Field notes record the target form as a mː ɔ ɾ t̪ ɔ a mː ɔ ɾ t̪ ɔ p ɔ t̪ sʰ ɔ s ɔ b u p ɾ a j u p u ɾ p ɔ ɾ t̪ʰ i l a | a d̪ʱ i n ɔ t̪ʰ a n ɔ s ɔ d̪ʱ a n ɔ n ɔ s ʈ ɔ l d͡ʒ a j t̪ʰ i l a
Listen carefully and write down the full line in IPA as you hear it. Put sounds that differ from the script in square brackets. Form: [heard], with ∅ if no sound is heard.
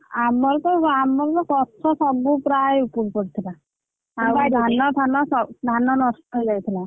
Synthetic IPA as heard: a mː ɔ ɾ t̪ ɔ a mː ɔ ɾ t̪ ɔ [k] ɔ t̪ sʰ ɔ s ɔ b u p ɾ a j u p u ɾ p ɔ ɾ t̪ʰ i l a | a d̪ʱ [a] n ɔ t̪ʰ a n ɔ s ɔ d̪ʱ a n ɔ n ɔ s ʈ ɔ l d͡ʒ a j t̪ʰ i l a

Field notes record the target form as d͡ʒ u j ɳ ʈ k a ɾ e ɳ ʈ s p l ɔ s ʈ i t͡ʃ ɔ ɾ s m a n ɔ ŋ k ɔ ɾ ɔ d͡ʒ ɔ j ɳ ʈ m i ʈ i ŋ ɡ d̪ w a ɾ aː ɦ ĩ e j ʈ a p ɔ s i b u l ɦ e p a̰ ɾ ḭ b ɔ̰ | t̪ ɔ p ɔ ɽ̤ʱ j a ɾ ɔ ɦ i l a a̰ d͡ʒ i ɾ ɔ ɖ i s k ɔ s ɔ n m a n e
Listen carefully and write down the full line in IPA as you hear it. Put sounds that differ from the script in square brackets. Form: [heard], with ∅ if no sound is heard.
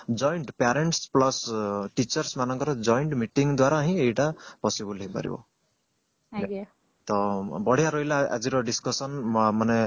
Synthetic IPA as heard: d͡ʒ [ɔ] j ɳ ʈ [p] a ɾ e ɳ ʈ s p l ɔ s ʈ i t͡ʃ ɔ ɾ s m a n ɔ ŋ k ɔ ɾ ɔ d͡ʒ ɔ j ɳ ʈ m i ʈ i ŋ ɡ d̪ w a ɾ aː ɦ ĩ e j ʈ a p ɔ s i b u l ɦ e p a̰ ɾ ḭ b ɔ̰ | t̪ ɔ [b] ɔ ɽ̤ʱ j a ɾ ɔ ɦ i l a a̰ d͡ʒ i ɾ ɔ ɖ i s k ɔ s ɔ n m a n e

